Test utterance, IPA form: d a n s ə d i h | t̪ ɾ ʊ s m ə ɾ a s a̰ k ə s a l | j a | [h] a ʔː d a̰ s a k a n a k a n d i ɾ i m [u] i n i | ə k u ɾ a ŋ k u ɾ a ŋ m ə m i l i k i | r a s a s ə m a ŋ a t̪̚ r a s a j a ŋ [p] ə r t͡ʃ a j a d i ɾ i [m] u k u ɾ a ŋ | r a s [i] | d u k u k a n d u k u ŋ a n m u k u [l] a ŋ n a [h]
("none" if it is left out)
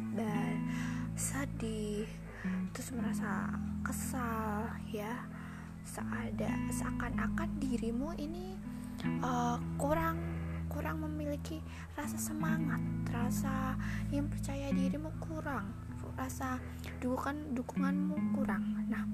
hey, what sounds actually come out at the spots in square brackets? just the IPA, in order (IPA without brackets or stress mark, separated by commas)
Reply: s, u, p, m, a, ɾ, h